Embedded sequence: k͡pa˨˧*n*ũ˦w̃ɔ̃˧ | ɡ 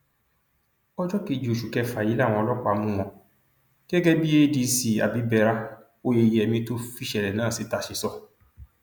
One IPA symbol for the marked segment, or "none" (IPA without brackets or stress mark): m